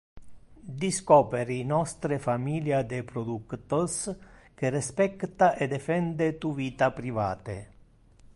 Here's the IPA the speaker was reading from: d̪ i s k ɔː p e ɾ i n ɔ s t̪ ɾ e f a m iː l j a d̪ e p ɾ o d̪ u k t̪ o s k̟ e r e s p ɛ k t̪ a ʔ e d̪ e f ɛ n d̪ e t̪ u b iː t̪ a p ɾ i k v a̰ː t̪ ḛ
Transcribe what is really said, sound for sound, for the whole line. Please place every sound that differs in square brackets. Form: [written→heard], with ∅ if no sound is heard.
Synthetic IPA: d̪ i s k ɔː p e ɾ i n ɔ s t̪ ɾ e f a m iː l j a d̪ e p ɾ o d̪ u k t̪ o s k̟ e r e s p ɛ k t̪ a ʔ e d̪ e f ɛ n d̪ e t̪ u [b→v] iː t̪ a p ɾ i [k→∅] v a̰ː t̪ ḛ